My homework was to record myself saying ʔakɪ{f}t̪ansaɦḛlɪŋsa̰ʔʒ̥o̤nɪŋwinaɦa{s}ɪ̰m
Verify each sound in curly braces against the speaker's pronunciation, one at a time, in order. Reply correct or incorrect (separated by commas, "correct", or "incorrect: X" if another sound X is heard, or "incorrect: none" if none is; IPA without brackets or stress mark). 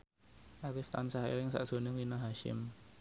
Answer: correct, incorrect: ʃ